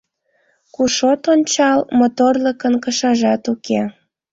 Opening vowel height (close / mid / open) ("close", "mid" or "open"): close